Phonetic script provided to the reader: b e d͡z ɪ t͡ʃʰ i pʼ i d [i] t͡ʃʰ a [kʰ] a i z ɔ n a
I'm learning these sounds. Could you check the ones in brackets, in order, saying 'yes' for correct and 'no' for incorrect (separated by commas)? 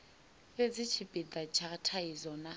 no, no